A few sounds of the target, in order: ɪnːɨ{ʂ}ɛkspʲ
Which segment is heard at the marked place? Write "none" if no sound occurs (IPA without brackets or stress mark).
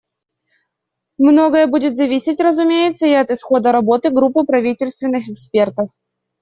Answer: x